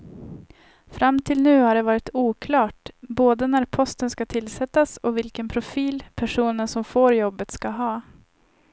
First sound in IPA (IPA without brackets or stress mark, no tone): f